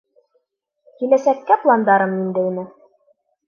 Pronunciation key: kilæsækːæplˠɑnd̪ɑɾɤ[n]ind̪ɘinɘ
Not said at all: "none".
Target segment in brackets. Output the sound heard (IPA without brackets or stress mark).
m